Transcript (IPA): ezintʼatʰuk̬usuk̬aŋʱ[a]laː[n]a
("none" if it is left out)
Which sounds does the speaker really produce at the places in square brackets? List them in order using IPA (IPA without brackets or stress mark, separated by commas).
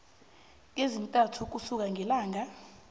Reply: ɛ, ŋ